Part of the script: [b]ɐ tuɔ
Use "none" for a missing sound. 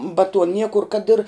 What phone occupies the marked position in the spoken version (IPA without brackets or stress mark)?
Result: b